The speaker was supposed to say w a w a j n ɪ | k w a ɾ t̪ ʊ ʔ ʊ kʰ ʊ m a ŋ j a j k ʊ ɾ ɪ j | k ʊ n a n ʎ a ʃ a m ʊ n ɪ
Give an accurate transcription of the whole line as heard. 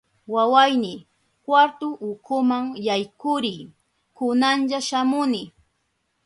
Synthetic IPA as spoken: w a w a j n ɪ | k w a ɾ t̪ ʊ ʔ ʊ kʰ ʊ m a ŋ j a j k ʊ ɾ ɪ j | k ʊ n a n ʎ a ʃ a m ʊ n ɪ

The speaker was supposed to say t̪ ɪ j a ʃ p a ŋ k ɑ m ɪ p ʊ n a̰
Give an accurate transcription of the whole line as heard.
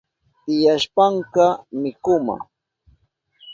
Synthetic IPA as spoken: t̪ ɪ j a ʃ p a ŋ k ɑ m ɪ k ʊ m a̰

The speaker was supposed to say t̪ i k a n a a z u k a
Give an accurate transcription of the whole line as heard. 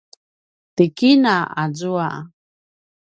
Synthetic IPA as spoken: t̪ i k i n a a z u a

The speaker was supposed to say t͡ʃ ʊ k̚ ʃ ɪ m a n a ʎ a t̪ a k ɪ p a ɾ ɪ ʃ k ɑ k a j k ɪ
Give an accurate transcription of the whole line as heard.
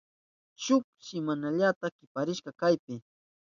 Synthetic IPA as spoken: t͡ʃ ʊ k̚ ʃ ɪ m a n a ʎ a t̪ a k ɪ p a ɾ ɪ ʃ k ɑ k a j p ɪ

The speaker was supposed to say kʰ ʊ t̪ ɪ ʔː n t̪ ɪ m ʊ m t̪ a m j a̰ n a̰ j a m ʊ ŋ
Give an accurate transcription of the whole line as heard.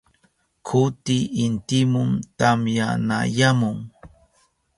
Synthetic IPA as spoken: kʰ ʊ t̪ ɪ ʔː n t̪ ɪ m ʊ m t̪ a m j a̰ n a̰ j a m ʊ ŋ

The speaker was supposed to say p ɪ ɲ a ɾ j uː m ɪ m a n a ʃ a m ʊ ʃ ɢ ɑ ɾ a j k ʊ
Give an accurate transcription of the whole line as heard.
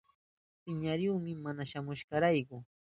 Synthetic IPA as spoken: p ɪ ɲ a ɾ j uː m ɪ m a n a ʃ a m ʊ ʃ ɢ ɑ ɾ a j k ʊ

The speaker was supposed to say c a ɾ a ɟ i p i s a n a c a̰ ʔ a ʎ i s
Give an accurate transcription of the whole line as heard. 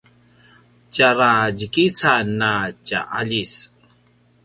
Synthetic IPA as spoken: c a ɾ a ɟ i k i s a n a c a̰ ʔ a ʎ i s

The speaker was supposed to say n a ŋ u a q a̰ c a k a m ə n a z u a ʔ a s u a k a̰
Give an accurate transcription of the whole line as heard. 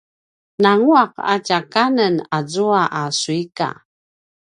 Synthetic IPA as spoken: n a ŋ u a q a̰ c a k a n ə n a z u a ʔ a s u i k a̰

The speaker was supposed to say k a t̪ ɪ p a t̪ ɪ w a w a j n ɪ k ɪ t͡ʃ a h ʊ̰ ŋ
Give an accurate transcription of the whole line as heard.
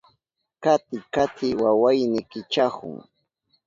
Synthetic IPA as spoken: k a t̪ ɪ k a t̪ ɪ w a w a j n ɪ k ɪ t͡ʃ a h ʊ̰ ŋ

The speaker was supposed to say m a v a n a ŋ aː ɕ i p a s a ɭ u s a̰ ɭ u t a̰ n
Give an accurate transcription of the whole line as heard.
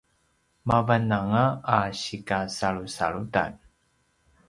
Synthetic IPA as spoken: m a v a n a ŋ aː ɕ i k a s a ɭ u s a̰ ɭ u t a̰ n

